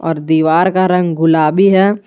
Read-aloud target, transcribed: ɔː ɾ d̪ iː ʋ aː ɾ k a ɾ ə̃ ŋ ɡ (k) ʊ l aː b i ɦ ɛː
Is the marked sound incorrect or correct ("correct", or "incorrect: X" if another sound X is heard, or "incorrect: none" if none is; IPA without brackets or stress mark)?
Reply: incorrect: ɡ